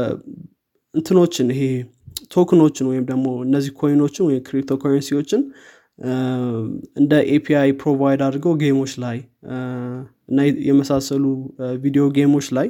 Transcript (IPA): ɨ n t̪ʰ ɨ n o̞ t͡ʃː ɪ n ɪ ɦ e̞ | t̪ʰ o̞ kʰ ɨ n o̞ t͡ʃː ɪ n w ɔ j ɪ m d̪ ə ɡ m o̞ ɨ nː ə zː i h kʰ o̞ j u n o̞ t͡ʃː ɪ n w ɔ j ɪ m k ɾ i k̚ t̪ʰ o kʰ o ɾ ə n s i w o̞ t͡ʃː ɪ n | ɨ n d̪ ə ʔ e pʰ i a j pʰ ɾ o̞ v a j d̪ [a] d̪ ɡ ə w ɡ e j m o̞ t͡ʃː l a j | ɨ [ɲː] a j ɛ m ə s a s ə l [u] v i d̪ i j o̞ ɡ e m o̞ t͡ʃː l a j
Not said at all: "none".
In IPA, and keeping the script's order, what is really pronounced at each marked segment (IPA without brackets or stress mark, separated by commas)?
a, nː, u